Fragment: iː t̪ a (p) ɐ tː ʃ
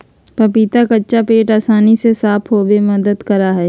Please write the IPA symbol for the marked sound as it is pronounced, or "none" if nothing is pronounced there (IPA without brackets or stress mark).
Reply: k